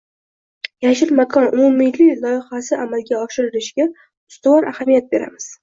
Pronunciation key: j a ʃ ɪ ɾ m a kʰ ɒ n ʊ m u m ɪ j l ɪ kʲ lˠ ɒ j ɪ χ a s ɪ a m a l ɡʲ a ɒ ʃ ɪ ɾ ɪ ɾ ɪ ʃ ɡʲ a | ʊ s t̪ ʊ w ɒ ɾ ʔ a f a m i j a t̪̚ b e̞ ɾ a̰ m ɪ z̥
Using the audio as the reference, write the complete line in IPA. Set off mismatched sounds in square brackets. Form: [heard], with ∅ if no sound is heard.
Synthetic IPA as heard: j a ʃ ɪ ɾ m a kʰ ɒ n ʊ m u m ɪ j l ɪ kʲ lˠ ɒ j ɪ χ a s ɪ a m a l ɡʲ a ɒ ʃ ɪ ɾ ɪ ɾ ɪ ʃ ɡʲ a | ʊ s t̪ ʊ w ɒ ɾ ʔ a [h] a m i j a t̪̚ b e̞ ɾ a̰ m ɪ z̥